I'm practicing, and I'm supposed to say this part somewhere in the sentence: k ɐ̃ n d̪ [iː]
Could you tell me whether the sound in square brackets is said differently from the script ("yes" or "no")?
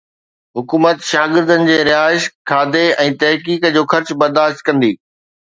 no